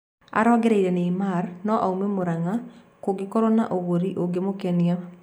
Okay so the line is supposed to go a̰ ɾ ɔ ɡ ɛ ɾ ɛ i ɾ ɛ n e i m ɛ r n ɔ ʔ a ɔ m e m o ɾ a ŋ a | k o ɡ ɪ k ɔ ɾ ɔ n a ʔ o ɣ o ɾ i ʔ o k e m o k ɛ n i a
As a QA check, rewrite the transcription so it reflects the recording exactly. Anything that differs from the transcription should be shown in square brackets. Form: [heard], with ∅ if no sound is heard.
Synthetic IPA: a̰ ɾ ɔ ɡ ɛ ɾ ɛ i ɾ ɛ n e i m [a] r n ɔ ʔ a [u] m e m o ɾ a ŋ a | k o ɡ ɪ k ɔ ɾ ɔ n a ʔ o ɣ o ɾ i ʔ o [ɡ] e m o k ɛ n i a